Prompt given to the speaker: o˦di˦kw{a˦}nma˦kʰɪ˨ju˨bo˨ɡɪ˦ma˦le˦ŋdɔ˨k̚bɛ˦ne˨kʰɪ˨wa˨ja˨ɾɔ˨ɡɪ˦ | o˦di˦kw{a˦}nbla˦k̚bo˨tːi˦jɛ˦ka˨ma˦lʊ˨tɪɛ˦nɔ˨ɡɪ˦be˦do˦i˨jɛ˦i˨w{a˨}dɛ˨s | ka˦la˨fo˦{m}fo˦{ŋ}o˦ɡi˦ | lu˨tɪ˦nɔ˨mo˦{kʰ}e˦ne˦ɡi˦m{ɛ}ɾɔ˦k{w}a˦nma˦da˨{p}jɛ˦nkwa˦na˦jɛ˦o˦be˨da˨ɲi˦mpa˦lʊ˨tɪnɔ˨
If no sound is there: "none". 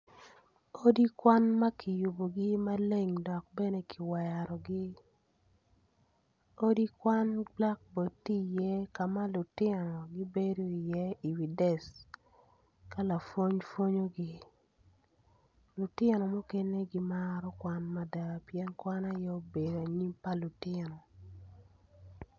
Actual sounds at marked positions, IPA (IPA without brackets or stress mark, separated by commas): a˦, a˦, i˨, ɲ, ɲ, k, a, w, p